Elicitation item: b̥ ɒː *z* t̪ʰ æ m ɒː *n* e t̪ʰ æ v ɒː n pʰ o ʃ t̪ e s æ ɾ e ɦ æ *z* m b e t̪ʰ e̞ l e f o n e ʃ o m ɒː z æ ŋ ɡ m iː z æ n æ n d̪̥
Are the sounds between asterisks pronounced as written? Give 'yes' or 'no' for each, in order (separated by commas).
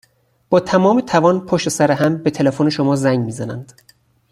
no, no, no